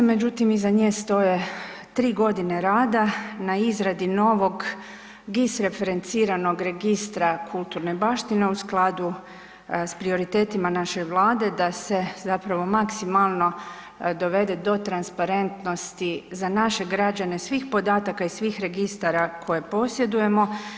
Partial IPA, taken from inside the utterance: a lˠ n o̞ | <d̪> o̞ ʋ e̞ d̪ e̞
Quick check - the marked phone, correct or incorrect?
correct